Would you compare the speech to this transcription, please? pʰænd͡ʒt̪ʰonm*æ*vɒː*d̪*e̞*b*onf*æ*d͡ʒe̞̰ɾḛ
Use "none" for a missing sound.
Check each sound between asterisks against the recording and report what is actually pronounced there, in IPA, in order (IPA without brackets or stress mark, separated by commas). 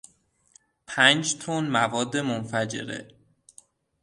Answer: æ, d̪ː, m, æ